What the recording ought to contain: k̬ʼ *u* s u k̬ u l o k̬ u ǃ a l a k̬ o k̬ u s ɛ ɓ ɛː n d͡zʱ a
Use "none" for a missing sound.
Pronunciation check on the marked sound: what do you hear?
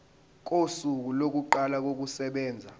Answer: o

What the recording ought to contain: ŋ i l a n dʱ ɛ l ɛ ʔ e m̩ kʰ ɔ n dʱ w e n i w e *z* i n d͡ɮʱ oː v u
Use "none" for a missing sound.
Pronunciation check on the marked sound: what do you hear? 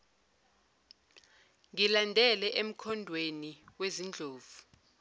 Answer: z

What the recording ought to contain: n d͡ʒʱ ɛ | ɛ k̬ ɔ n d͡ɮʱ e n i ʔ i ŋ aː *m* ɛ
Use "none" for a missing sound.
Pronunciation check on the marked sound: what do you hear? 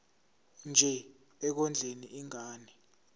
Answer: n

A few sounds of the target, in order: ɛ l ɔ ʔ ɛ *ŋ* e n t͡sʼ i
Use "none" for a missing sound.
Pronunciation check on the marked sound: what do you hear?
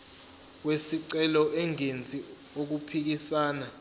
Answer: ŋ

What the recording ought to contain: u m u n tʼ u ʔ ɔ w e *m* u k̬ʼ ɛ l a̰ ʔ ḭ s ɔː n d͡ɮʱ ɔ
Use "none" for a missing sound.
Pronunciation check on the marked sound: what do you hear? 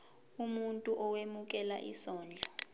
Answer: m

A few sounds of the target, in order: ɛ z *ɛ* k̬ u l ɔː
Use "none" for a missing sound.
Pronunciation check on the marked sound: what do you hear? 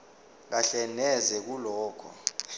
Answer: ɛ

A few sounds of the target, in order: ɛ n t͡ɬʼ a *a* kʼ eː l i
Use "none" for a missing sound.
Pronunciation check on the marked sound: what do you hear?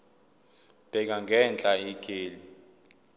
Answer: i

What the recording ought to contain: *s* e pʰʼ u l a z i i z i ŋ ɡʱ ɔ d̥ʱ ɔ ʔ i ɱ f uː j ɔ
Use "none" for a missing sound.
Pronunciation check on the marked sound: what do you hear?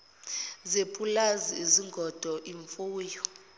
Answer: z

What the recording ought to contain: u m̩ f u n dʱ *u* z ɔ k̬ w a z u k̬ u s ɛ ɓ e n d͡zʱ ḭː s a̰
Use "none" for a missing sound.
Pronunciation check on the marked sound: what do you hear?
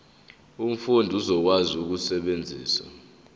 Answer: u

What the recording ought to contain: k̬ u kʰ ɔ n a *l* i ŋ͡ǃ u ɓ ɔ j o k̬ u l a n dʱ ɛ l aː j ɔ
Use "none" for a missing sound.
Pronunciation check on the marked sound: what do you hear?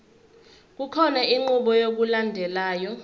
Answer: none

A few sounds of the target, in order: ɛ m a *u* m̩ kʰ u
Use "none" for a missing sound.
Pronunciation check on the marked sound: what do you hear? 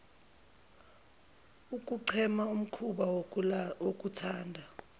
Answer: u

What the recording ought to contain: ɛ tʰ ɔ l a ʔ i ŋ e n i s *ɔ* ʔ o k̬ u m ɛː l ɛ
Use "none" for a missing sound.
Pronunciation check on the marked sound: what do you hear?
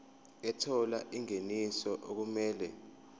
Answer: ɔ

